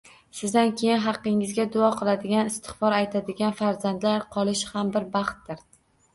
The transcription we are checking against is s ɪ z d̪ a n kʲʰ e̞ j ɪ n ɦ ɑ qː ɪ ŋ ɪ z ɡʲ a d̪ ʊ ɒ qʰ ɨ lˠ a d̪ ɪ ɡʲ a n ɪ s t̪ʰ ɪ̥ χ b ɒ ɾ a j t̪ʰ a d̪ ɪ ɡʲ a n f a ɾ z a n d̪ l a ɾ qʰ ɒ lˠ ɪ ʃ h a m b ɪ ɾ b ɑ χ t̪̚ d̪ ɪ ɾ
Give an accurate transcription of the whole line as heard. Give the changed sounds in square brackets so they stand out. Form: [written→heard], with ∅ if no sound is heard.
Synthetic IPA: s ɪ z d̪ a n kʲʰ e̞ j ɪ n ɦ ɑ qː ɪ ŋ ɪ z ɡʲ a d̪ ʊ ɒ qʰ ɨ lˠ a d̪ ɪ ɡʲ a n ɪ s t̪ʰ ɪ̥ χ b ɒ ɾ a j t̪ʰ a d̪ ɪ ɡʲ a n f a ɾ z a n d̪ l a ɾ qʰ ɒ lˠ ɪ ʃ h a m b ɪ ɾ b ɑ χ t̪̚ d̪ ɪ ɾ